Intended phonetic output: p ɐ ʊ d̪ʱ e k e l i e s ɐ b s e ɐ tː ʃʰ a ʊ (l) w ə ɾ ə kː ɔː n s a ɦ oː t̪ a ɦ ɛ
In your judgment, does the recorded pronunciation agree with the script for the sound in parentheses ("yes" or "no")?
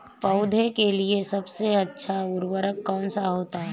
no